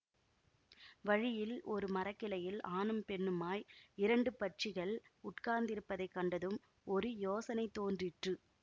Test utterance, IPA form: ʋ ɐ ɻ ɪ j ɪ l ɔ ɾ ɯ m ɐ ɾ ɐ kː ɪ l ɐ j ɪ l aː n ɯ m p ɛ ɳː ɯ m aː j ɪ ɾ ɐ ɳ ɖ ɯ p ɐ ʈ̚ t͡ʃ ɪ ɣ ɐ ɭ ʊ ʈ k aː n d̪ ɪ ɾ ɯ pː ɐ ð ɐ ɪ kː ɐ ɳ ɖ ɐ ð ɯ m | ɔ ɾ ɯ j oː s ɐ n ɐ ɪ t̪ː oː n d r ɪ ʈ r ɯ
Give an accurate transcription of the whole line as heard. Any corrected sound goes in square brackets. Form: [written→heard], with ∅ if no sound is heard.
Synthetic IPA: ʋ ɐ ɻ ɪ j ɪ l ɔ ɾ ɯ m ɐ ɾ ɐ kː ɪ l ɐ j ɪ l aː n ɯ m p ɛ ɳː ɯ m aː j ɪ ɾ ɐ ɳ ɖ ɯ p ɐ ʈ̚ t͡ʃ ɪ ɣ ɐ ɭ ʊ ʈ k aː n d̪ ɪ ɾ ɯ pː ɐ ð ɐ ɪ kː ɐ ɳ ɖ ɐ ð ɯ m | ɔ ɾ ɯ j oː s ɐ n ɐ ɪ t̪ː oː n d r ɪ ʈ r ɯ